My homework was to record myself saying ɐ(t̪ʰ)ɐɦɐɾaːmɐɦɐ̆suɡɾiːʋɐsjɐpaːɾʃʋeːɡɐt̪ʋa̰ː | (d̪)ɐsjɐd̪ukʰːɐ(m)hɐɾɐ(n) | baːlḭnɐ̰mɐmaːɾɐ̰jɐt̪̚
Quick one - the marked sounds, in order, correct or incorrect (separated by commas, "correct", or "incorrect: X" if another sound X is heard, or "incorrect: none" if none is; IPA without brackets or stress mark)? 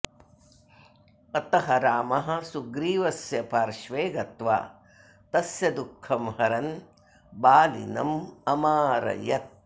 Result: incorrect: t̪, incorrect: t̪, correct, correct